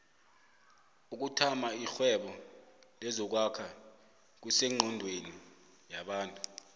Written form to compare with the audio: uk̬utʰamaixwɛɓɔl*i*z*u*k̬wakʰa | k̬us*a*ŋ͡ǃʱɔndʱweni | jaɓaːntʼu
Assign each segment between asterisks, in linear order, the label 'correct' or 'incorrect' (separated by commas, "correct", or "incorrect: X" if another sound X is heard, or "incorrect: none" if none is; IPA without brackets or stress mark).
incorrect: ɛ, incorrect: ɔ, incorrect: ɛ